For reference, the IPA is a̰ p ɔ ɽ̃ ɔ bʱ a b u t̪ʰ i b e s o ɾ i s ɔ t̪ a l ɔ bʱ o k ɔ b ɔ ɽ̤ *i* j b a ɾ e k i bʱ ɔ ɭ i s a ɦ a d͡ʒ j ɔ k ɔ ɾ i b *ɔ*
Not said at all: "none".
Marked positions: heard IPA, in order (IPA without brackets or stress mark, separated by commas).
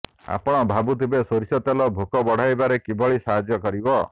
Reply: a, ɔ